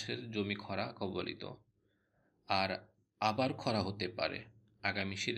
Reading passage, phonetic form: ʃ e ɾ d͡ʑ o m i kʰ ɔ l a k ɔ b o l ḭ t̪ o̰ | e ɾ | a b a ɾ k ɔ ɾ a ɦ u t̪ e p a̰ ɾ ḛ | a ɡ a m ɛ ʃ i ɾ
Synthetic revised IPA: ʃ e ɾ d͡ʑ o m i kʰ ɔ ɾ a k ɔ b o l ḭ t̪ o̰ | a ɾ | a b a ɾ kʰ ɔ ɾ a ɦ o t̪ e p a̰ ɾ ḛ | a ɡ a m i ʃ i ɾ